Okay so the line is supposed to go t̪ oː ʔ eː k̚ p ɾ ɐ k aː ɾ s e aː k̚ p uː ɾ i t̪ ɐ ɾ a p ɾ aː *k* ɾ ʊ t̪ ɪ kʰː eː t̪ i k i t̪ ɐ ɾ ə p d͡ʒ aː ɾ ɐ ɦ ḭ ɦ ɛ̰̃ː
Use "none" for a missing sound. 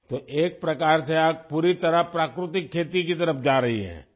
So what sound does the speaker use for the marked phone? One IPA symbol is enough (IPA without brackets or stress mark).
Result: k